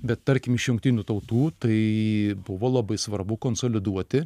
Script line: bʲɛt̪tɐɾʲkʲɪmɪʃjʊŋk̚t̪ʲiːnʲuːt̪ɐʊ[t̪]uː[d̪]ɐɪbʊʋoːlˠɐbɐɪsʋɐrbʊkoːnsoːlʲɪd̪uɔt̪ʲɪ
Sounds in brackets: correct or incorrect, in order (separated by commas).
correct, incorrect